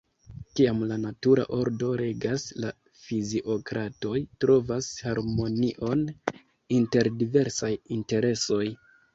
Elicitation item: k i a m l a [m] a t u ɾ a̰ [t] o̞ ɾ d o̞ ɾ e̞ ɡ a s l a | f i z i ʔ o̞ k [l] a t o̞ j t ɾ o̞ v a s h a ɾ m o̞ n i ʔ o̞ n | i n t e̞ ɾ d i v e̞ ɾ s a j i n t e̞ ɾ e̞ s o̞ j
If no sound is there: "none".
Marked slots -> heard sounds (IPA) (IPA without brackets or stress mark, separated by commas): n, ʔ, ɾ